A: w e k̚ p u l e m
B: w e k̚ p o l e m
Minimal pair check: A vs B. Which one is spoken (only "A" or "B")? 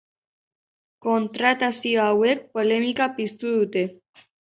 B